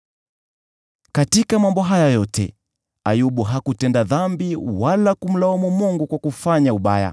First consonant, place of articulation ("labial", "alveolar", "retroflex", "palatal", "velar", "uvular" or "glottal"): velar